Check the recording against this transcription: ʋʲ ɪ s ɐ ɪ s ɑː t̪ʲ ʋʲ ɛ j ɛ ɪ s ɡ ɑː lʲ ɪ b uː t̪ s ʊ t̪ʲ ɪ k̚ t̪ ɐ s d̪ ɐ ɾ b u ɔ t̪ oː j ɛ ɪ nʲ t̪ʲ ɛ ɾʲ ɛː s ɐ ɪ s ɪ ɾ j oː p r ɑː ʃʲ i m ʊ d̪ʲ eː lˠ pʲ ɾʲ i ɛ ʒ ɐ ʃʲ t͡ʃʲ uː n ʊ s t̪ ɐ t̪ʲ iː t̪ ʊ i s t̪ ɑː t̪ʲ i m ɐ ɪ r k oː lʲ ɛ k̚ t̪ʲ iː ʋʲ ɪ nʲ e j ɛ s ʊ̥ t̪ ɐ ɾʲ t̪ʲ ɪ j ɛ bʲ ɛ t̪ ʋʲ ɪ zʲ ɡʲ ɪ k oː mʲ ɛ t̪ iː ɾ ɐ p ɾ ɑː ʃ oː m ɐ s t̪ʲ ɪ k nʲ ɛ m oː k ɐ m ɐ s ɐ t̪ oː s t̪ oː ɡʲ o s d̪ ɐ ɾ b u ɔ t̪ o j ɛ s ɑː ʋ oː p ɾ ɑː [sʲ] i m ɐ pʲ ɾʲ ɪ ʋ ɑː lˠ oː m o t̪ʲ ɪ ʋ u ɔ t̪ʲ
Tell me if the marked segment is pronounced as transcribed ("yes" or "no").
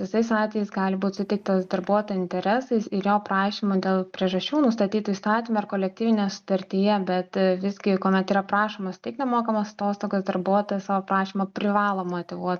no